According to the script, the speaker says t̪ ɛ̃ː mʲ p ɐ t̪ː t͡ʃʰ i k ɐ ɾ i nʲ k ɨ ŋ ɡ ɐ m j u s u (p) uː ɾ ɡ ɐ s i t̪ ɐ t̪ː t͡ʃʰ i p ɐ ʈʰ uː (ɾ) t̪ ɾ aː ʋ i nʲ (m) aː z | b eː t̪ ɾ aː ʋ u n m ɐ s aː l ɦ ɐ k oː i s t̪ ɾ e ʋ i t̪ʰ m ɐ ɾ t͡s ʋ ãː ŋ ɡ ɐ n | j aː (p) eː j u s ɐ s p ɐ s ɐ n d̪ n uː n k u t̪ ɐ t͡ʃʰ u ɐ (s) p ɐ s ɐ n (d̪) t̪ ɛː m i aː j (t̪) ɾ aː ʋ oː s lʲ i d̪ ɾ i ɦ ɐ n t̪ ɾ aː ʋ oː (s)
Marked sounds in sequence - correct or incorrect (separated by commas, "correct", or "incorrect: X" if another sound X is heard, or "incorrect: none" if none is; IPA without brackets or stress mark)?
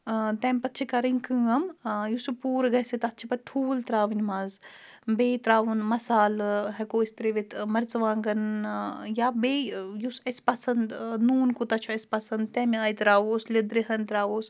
correct, incorrect: l, correct, incorrect: b, correct, correct, correct, correct